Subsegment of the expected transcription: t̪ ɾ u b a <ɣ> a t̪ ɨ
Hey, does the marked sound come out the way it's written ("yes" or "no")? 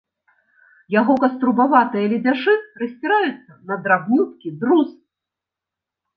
no